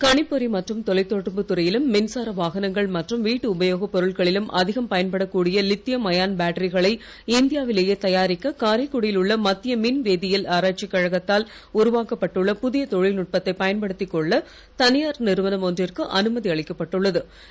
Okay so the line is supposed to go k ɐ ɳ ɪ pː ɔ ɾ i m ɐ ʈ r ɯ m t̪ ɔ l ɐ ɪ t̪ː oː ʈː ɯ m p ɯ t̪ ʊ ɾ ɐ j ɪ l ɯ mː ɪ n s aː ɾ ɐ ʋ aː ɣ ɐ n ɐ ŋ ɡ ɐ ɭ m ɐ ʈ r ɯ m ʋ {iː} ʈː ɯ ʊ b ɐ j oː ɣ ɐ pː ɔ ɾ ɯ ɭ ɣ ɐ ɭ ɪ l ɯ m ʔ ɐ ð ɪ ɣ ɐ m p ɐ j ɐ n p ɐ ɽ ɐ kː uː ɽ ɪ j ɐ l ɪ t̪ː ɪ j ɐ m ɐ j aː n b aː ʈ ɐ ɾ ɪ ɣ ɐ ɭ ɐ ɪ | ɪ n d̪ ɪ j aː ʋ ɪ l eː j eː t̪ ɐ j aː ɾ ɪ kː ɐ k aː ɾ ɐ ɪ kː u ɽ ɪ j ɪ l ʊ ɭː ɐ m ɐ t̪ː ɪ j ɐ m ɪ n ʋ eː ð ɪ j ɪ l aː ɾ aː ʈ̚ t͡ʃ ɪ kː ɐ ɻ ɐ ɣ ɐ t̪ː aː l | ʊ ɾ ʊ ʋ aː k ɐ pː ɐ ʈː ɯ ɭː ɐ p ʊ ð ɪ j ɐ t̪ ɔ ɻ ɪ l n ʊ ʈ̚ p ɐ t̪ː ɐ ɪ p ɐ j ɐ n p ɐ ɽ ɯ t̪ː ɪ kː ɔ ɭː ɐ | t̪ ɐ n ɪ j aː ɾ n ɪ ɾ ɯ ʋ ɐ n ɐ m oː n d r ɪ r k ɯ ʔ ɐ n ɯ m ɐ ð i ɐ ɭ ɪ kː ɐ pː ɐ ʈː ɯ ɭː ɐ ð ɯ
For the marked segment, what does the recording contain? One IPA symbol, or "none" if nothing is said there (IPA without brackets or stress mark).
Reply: iː